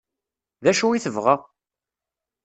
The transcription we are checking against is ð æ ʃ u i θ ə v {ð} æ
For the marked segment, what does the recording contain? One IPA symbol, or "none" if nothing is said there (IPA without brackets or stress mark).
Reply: ʁ